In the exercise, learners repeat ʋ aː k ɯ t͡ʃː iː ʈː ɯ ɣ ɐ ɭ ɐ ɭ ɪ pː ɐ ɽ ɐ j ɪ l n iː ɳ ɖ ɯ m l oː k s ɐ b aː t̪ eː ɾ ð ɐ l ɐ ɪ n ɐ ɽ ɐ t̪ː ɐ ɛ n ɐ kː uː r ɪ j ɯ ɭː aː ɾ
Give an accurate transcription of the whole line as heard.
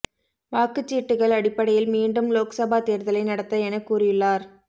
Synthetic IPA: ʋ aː k ɯ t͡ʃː iː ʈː ɯ ɣ ɐ ɭ ɐ ɽ ɪ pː ɐ ɽ ɐ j ɪ l m iː ɳ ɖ ɯ m l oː k s ɐ b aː t̪ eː ɾ ð ɐ l ɐ ɪ n ɐ ɽ ɐ t̪ː ɐ ɛ n ɐ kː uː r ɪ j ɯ ɭː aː ɾ